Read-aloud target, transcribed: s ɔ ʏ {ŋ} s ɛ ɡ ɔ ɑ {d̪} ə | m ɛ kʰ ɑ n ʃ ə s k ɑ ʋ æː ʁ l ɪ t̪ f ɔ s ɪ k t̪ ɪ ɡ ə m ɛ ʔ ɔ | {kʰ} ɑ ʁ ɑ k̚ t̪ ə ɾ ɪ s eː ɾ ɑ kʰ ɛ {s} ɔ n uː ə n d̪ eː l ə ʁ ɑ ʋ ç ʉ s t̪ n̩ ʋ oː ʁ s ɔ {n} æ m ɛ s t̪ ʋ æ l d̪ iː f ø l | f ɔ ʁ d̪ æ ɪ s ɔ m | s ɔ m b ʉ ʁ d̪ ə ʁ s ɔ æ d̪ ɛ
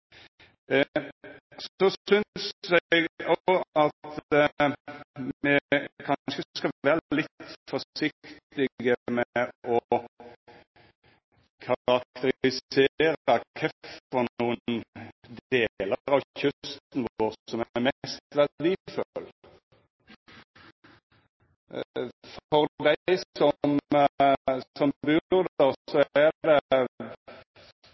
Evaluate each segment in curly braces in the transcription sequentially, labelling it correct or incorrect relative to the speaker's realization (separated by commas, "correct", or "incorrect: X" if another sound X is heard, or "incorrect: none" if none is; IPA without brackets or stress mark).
incorrect: n, incorrect: t̪, correct, incorrect: f, incorrect: m